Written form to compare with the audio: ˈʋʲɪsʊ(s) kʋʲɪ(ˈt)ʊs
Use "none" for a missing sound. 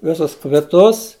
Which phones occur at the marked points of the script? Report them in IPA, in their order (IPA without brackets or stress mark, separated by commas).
s, t